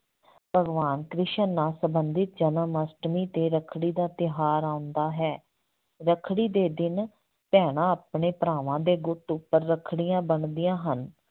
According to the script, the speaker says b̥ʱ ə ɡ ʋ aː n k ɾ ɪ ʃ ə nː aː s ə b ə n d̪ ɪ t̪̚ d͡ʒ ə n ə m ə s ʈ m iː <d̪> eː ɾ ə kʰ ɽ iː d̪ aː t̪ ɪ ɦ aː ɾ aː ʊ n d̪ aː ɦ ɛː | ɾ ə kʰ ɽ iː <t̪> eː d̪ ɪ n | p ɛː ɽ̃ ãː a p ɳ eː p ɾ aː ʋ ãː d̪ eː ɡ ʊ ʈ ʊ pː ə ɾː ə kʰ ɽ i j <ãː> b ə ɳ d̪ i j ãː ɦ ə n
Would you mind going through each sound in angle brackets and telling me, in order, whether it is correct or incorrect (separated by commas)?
incorrect, incorrect, correct